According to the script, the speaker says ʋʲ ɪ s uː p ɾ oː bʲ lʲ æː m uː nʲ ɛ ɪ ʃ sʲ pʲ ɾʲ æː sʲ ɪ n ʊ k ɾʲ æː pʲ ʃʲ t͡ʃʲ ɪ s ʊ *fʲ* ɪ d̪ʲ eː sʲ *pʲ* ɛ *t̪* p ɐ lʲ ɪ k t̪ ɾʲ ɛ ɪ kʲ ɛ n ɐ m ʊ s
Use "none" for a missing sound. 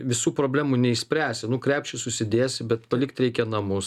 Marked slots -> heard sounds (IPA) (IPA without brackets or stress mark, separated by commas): sʲ, bʲ, t̪